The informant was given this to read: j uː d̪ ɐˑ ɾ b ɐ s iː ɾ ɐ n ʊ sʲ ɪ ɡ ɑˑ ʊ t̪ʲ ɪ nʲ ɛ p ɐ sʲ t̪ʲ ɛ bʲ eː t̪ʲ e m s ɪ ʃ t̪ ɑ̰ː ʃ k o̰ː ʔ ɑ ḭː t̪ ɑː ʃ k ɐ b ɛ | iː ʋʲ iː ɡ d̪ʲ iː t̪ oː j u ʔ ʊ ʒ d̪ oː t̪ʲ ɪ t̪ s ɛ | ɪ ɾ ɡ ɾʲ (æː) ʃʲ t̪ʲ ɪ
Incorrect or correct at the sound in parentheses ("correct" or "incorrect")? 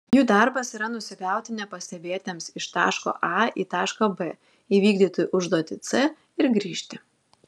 incorrect